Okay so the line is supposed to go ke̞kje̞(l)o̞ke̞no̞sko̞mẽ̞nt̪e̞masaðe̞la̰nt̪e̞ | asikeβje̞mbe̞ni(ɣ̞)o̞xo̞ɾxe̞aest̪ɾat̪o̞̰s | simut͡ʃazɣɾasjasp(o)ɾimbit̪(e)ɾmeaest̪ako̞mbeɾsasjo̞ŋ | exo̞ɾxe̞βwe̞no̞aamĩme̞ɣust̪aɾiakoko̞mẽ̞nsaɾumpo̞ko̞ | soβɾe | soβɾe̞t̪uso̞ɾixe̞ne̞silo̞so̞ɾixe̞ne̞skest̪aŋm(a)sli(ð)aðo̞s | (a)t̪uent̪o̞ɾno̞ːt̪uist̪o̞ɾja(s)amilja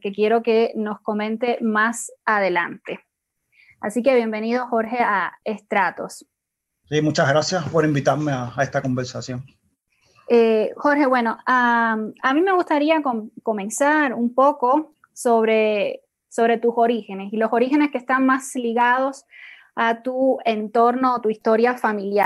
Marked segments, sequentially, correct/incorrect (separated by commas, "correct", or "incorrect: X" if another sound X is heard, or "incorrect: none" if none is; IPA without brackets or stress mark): incorrect: ɾ, incorrect: ð̞, correct, incorrect: a, correct, incorrect: ɣ, correct, incorrect: f